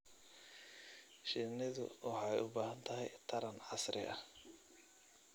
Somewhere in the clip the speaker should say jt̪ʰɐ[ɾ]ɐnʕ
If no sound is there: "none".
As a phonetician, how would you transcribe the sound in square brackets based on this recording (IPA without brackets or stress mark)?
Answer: ɾ